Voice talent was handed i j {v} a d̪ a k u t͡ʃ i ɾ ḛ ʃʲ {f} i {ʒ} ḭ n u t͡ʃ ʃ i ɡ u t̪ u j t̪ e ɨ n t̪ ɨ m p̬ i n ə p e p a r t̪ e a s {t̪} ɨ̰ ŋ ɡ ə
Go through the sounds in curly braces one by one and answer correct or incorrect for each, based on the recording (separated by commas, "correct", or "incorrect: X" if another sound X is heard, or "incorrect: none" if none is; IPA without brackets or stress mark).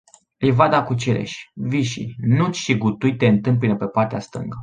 correct, incorrect: v, incorrect: ʃ, correct